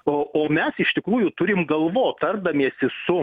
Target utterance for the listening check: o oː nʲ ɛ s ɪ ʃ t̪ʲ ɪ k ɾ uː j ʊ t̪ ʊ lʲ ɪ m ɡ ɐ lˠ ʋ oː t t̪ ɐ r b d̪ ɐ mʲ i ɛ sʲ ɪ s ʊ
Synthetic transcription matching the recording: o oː mʲ ɛ s ɪ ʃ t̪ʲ ɪ k ɾ uː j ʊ t̪ ʊ ɾʲ ɪ m ɡ ɐ lˠ ʋ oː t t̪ ɐ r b d̪ ɐ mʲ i ɛ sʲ ɪ s ʊ